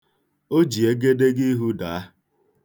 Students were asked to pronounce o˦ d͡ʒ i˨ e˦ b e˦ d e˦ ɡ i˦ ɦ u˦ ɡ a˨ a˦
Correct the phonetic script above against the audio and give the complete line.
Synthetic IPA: o˦ d͡ʒ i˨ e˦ ɡ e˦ d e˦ ɡ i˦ ɦ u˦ d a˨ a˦